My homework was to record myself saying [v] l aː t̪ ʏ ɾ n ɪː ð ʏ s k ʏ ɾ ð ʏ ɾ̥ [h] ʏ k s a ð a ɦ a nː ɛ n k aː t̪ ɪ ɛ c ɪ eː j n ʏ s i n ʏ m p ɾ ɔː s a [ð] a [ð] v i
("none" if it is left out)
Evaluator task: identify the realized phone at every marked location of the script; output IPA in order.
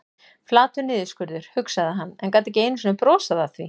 f, h, ð, θ

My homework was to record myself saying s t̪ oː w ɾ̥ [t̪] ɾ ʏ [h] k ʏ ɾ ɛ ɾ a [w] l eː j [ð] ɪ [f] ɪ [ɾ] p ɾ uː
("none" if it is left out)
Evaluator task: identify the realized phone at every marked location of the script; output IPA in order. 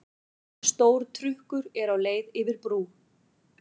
t̪ʰ, h, w, ð, v, ɾ

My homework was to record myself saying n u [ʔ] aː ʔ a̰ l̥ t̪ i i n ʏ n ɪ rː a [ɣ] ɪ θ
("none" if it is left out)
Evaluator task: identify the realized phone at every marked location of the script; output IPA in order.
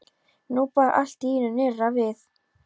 p, v

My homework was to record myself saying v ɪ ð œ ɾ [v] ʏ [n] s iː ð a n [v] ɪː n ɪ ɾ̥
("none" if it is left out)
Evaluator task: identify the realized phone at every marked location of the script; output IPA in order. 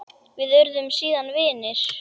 ð, m, v

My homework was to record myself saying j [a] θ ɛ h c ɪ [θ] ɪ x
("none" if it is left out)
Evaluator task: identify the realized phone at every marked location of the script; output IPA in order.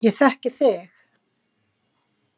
ɛ, θ

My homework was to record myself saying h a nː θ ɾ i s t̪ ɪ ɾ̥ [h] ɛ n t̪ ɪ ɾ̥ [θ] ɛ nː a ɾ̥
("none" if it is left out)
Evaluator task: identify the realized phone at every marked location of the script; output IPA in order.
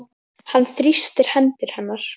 h, h

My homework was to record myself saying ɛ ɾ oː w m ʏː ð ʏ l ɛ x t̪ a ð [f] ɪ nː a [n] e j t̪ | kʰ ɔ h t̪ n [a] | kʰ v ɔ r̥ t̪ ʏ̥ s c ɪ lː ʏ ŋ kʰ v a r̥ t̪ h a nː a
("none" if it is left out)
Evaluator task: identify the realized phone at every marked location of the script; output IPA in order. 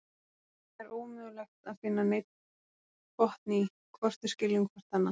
f, n, i

